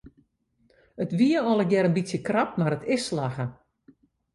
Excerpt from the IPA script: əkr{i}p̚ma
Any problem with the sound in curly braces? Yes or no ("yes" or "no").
yes